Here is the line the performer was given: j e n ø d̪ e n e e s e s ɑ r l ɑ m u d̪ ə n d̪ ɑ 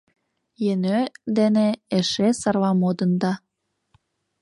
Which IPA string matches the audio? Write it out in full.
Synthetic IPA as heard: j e n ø d̪ e n e e ʃ e s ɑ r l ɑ m o d̪ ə n d̪ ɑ